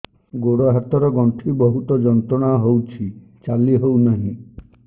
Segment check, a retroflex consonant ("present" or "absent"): present